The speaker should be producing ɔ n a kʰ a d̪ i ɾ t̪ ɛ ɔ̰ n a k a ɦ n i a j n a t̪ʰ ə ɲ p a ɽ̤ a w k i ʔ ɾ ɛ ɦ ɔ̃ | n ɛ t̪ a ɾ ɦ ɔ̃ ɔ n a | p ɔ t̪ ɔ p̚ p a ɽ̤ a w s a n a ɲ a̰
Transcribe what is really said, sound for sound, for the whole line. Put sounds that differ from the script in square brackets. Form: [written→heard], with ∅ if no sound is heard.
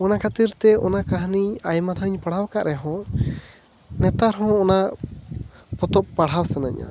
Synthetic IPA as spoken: ɔ n a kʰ a [d̪→t̪] i ɾ t̪ ɛ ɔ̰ n a k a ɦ n i a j [n→m] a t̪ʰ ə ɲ p a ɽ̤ a w k [i→a] ʔ ɾ ɛ ɦ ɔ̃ | n ɛ t̪ a ɾ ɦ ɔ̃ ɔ n a | p ɔ t̪ ɔ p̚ p a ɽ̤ a w s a n a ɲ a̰

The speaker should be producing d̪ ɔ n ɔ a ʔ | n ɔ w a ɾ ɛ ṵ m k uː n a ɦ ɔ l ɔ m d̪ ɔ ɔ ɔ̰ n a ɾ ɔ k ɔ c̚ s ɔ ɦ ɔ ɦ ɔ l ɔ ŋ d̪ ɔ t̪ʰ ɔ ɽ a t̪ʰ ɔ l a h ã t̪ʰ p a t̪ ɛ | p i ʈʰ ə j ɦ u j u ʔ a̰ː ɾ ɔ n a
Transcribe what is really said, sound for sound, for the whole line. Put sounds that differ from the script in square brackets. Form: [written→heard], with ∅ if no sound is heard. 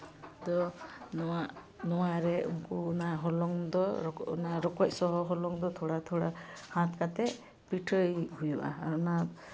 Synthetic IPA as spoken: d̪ ɔ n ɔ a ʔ | n ɔ w a ɾ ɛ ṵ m k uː n a ɦ ɔ l ɔ [m→ŋ] d̪ ɔ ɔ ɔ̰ n a ɾ ɔ k ɔ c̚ s ɔ ɦ ɔ ɦ ɔ l ɔ ŋ d̪ ɔ t̪ʰ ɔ ɽ a t̪ʰ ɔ [l→ɽ] a h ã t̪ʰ [p→k] a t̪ ɛ | p i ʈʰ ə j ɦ u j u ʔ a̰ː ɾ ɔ n a

